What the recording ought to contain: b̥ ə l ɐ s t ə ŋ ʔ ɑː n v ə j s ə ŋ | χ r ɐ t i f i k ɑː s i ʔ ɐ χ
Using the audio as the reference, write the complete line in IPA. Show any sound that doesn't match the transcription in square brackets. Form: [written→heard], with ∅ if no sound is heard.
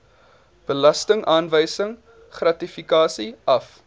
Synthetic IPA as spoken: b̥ ə l ɐ s t ə ŋ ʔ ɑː n v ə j s ə ŋ | χ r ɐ t i f i k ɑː s i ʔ ɐ [χ→f]